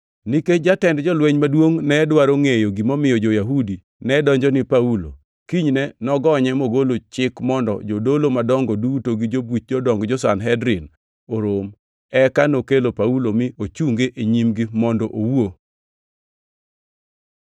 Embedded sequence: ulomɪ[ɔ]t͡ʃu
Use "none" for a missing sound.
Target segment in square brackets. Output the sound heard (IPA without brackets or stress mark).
o